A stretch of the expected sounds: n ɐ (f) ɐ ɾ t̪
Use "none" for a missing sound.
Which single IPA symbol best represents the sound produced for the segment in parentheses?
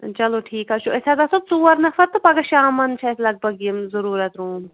f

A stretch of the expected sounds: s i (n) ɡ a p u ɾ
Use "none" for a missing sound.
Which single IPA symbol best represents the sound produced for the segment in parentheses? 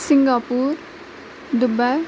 ŋ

